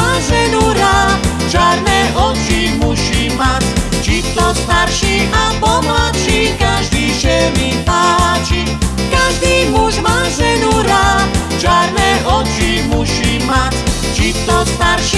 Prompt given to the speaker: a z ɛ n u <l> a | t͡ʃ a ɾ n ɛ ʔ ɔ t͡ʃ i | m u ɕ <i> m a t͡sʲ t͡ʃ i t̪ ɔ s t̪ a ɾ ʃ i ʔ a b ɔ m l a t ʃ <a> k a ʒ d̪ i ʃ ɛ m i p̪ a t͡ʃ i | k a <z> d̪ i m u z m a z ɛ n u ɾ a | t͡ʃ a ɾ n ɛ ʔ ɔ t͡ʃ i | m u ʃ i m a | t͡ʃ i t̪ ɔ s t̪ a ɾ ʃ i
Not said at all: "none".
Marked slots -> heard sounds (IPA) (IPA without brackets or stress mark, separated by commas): ɾ, i, i, ʒ